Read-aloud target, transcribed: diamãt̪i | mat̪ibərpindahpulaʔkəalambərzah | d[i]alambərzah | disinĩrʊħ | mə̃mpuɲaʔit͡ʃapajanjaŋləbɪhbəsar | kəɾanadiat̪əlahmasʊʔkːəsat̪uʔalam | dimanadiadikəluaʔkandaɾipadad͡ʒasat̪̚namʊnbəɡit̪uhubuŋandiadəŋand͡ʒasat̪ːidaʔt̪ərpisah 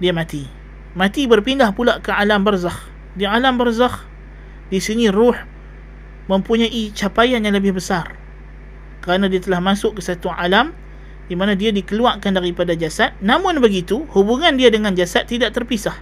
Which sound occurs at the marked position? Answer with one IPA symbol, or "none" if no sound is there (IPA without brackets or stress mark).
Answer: i